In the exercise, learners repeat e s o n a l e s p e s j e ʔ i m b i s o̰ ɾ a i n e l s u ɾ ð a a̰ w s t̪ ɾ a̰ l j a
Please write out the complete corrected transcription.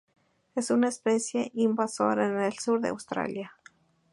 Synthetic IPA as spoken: e s u n a e s p e s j e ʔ i m b a s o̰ ɾ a e n e l s u ɾ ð e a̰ w s t̪ ɾ a̰ l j a